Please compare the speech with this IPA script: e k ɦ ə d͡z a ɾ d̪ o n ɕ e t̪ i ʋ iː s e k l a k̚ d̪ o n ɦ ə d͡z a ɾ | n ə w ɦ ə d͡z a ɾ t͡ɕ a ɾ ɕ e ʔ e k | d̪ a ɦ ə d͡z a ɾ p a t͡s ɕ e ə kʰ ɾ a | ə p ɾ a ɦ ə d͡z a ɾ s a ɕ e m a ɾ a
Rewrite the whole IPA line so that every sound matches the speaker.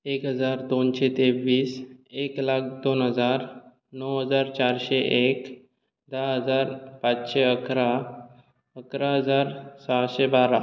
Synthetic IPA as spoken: e k ɦ ə d͡z a ɾ d̪ o n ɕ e t̪ e ʋ iː s e k l a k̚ d̪ o n ɦ ə d͡z a ɾ | n ə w ɦ ə d͡z a ɾ t͡ɕ a ɾ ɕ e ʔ e k | d̪ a ɦ ə d͡z a ɾ p a t͡s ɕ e ə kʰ ɾ a | ə k ɾ a ɦ ə d͡z a ɾ s a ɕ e b a ɾ a